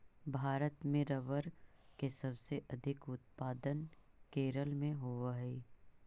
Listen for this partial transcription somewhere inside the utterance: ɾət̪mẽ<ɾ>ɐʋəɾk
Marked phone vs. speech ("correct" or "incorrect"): correct